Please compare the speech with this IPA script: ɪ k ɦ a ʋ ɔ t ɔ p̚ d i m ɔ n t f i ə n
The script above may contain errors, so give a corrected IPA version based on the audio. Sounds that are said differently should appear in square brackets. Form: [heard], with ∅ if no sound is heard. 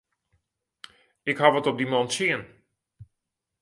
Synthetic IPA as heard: ɪ k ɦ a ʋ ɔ t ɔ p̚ d i m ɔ n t [s] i ə n

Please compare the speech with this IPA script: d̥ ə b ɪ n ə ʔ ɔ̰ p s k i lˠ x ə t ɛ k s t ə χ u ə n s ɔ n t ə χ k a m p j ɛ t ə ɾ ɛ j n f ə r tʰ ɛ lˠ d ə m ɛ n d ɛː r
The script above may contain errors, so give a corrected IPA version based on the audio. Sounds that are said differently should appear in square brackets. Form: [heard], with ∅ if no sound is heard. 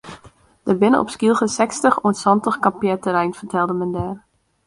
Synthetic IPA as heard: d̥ ə b ɪ n ə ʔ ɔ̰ p s k i lˠ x ə [s] ɛ k s t ə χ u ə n s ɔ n t ə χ k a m p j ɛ t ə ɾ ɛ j n f ə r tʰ ɛ lˠ d ə m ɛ n d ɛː r

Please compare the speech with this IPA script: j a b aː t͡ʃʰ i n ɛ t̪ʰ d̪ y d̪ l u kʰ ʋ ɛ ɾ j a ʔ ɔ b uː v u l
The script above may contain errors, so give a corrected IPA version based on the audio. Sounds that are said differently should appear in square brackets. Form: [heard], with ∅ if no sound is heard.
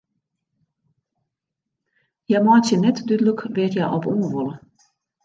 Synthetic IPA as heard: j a [m] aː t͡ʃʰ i n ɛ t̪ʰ d̪ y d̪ l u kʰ [v] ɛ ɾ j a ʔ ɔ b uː v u l

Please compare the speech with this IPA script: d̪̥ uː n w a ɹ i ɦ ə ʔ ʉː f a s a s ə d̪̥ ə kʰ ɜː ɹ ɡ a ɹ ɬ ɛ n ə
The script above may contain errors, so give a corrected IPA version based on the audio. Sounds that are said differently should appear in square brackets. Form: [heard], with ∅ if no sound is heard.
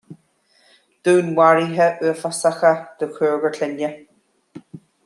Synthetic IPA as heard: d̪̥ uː n w a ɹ i ɦ ə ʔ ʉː f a s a [x] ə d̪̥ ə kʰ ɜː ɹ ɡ [ə] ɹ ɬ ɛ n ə

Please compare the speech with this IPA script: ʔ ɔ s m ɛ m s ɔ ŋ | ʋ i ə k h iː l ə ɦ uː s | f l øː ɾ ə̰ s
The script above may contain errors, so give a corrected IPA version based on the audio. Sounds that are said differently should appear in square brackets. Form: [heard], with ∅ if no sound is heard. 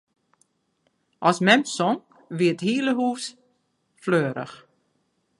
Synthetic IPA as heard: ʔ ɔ s m ɛ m s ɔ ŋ | ʋ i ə [t] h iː l ə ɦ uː s | f l øː ɾ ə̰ [x]

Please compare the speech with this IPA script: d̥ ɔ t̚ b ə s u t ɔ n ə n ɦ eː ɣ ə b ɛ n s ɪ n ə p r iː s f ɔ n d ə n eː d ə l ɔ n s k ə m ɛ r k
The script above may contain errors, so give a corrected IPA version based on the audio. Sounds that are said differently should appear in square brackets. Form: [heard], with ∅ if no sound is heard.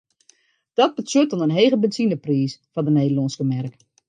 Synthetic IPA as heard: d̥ ɔ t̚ b ə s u t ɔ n ə n ɦ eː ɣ ə b ɛ n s [i] n ə p r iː s f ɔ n d ə n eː d ə l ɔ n s k ə m ɛ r k

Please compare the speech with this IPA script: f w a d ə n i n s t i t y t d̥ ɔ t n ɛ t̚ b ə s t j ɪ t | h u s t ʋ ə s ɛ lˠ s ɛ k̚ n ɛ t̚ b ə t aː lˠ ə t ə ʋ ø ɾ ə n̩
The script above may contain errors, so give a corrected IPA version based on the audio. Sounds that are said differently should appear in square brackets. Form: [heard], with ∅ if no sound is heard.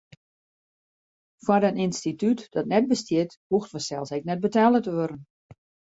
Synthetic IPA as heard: f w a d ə n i n s t i t y t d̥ ɔ t n ɛ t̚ b ə s t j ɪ t | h u [x] t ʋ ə s ɛ lˠ s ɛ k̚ n ɛ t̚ b ə t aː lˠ ə t ə ʋ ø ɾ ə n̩

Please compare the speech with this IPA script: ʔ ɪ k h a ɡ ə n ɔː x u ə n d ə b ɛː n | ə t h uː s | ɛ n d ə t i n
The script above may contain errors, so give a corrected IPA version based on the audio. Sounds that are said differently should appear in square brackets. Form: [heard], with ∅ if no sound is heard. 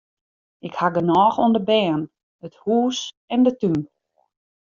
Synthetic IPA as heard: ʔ ɪ k h a ɡ ə n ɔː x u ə n d ə b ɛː n | ə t h uː s | ɛ n d ə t [y] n

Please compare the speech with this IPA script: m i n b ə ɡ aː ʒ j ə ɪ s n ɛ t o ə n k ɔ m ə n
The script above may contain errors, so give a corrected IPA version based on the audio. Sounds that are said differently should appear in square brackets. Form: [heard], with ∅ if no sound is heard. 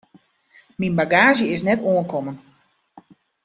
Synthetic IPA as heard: m i n b [a] ɡ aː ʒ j ə ɪ s n ɛ t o ə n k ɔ m ə n

